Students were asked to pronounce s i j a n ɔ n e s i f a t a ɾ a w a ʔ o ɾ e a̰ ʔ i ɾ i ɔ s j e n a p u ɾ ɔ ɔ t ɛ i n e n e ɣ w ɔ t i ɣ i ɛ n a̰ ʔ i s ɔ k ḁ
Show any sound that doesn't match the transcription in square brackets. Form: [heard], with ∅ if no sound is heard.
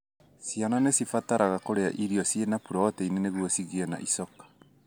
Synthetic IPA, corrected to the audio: s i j a n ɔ n e s i f a t a ɾ a [ɣ] a [k] o ɾ e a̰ ʔ i ɾ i ɔ s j e n a p u ɾ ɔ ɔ t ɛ i n e n e ɣ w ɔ [s] i ɣ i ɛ n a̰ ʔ i s ɔ k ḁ